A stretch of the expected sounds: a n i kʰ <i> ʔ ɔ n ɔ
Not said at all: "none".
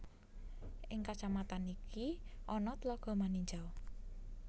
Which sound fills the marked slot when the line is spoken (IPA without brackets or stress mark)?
i